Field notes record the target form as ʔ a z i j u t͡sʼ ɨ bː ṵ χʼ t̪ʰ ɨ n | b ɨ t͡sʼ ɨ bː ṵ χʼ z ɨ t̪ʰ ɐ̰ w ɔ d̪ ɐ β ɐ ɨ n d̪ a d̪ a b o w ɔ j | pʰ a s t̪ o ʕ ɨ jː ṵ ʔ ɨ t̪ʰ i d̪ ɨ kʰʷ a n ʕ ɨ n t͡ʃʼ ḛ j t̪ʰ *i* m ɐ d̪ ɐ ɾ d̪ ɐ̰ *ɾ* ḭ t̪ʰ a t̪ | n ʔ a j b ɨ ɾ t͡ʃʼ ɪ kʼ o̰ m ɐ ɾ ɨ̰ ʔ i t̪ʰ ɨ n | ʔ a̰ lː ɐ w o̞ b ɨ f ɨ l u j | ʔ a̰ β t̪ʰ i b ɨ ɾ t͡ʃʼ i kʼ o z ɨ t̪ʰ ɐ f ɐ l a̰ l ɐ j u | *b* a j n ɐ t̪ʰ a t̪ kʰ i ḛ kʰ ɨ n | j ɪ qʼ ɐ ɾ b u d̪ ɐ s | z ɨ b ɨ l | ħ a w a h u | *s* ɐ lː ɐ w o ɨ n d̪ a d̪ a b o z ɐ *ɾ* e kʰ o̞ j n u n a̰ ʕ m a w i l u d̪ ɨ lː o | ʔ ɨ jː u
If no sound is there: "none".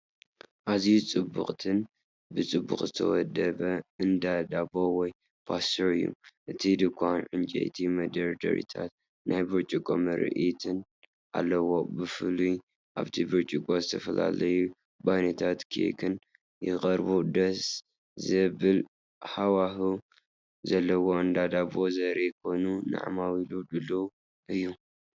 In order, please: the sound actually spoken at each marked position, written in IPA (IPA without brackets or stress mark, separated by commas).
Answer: i, ɾ, b, z, ɾ